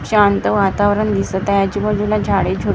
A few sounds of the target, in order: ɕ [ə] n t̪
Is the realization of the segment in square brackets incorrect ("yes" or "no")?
yes